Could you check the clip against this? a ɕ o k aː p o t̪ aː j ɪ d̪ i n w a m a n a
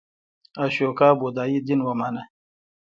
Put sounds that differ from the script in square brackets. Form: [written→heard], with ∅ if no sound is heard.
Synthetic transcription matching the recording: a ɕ o k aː [p→b] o [t̪→d̪] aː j [ɪ→i] d̪ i n w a m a n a